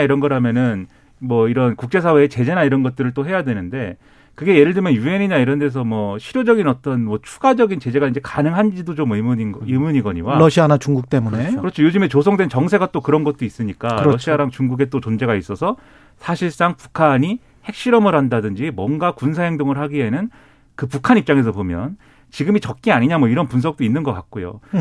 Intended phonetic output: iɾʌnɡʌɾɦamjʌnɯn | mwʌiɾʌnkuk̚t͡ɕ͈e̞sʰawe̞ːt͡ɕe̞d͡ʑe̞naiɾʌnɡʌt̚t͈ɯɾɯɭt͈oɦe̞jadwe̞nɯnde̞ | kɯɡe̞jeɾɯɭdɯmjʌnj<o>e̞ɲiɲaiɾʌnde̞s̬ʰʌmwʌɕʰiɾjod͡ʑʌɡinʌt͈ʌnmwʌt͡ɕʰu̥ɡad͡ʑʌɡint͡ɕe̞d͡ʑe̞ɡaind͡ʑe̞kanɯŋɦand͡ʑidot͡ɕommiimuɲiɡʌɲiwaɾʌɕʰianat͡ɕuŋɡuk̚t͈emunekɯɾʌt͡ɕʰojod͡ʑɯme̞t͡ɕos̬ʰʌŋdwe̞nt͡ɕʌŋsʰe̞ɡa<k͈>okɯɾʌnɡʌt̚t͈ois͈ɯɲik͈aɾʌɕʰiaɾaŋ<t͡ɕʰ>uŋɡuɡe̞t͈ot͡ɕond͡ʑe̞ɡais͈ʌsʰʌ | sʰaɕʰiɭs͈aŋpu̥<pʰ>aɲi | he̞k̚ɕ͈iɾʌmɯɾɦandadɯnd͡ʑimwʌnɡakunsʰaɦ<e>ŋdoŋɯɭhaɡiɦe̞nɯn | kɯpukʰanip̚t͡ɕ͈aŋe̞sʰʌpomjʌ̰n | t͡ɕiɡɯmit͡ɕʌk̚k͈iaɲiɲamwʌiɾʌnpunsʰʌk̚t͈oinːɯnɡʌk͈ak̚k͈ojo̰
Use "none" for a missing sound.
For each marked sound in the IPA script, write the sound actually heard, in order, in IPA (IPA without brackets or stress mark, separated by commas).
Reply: u, t͈, t͡ɕ, kʰ, e